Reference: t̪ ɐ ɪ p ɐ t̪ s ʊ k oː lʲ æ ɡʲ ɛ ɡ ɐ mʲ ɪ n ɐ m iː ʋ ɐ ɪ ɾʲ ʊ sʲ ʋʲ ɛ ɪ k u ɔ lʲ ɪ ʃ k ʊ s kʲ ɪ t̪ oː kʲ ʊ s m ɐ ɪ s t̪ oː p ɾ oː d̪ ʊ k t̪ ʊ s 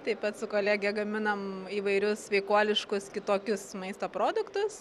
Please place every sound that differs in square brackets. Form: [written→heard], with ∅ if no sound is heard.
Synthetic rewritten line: t̪ ɐ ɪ p ɐ t̪ s ʊ k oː lʲ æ ɡʲ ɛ ɡ ɐ mʲ ɪ n ɐ m iː ʋ ɐ ɪ ɾʲ ʊ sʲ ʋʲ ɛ ɪ k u ɔ lʲ ɪ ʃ k ʊ s kʲ ɪ t̪ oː kʲ ʊ s m ɐ ɪ s t̪ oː p ɾ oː d̪ ʊ k t̪ ʊ s